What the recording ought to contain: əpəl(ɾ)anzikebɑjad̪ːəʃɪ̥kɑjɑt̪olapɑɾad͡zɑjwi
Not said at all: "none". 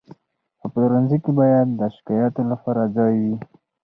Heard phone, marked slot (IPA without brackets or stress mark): ɾ